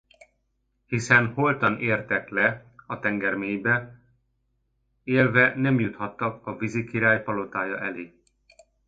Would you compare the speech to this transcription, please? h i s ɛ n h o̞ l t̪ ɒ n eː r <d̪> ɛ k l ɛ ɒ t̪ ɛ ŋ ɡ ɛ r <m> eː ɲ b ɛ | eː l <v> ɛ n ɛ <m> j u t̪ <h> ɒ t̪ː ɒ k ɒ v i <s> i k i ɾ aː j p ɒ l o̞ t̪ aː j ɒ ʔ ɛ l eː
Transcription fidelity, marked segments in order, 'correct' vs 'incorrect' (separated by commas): incorrect, correct, correct, correct, correct, incorrect